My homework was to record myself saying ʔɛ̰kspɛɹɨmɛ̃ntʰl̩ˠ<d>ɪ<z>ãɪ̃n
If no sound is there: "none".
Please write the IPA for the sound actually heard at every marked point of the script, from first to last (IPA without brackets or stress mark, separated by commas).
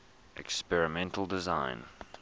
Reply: d, z